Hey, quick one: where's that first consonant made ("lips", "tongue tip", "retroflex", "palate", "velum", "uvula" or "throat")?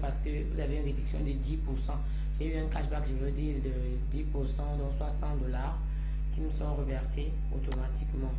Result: lips